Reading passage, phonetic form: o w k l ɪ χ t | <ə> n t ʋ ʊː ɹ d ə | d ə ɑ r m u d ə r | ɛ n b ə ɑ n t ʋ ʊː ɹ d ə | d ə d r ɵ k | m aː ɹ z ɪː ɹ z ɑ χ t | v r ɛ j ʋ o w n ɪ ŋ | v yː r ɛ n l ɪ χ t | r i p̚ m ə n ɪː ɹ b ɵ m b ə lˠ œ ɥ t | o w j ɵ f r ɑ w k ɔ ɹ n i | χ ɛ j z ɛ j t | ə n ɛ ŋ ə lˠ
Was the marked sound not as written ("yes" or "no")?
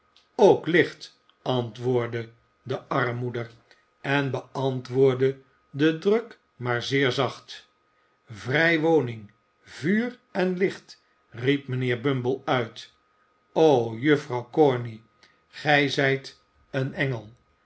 yes